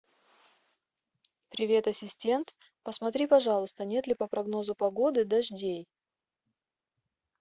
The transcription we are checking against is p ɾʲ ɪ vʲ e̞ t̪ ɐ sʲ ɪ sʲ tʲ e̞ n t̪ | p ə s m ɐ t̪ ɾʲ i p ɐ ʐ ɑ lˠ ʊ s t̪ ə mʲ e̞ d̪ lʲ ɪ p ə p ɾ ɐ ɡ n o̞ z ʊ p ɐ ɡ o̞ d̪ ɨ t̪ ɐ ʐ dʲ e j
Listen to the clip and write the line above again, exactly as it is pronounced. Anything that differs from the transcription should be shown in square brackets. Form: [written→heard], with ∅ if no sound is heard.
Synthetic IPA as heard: p ɾʲ ɪ vʲ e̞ t̪ ɐ sʲ ɪ sʲ tʲ e̞ n t̪ | p ə s m ɐ t̪ ɾʲ i p ɐ ʐ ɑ lˠ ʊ s t̪ ə [mʲ→nʲ] e̞ [d̪→t̪] lʲ ɪ p ə p ɾ ɐ ɡ n o̞ z ʊ p ɐ ɡ o̞ d̪ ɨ [t̪→d̪] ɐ ʐ dʲ e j

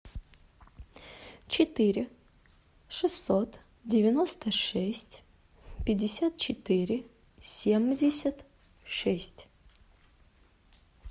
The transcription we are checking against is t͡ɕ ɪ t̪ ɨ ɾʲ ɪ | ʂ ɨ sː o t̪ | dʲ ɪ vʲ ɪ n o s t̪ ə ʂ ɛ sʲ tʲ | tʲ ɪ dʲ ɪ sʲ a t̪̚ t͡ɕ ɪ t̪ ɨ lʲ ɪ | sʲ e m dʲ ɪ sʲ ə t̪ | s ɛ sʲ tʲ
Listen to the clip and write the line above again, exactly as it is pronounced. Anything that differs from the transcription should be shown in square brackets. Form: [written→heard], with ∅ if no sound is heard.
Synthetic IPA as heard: t͡ɕ ɪ t̪ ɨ ɾʲ ɪ | ʂ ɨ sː o t̪ | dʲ ɪ vʲ ɪ n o s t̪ ə ʂ ɛ sʲ tʲ | [tʲ→pʲ] ɪ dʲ ɪ sʲ a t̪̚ t͡ɕ ɪ t̪ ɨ [lʲ→ɾʲ] ɪ | sʲ e m dʲ ɪ sʲ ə t̪ | [s→ʂ] ɛ sʲ tʲ

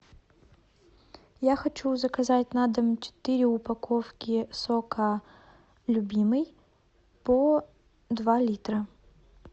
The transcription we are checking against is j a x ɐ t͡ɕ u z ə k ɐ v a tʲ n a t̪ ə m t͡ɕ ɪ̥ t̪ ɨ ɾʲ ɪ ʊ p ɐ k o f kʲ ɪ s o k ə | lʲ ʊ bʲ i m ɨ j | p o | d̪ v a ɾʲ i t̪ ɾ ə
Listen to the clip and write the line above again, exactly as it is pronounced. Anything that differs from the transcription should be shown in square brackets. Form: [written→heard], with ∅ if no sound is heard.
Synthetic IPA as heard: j a x ɐ t͡ɕ u z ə k ɐ [v→z] a tʲ n a [t̪→d̪] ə m t͡ɕ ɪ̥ t̪ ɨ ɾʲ ɪ ʊ p ɐ k o f kʲ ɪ s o k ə | lʲ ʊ bʲ i m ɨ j | p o | d̪ v a [ɾʲ→lʲ] i t̪ ɾ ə

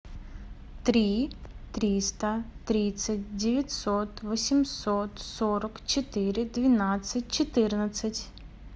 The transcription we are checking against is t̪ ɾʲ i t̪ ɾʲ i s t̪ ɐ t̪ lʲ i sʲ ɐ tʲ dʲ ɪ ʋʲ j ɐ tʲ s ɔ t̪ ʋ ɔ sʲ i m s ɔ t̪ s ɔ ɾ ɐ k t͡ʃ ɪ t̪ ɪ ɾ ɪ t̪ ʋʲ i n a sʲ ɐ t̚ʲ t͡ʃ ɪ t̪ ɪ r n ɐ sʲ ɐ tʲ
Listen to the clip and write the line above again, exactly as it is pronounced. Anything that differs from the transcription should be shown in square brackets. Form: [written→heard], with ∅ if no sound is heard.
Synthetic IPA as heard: t̪ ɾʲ i t̪ ɾʲ i s t̪ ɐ t̪ [lʲ→ɾʲ] i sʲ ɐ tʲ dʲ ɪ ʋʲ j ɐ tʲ s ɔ t̪ ʋ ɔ sʲ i m s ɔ t̪ s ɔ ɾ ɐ k t͡ʃ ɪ t̪ ɪ ɾ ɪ [t̪→d̪] ʋʲ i n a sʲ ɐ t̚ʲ t͡ʃ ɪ t̪ ɪ r n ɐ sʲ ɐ tʲ

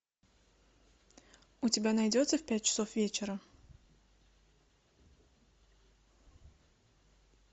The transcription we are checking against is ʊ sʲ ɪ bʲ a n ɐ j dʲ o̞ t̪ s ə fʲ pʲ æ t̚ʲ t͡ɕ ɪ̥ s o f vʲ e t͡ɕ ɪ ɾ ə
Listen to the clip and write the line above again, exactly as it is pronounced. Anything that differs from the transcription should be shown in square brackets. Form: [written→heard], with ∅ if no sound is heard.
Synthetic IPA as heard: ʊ [sʲ→tʲ] ɪ bʲ a n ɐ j dʲ o̞ t̪ s ə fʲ pʲ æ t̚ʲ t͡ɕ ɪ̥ s o f vʲ e t͡ɕ ɪ ɾ ə

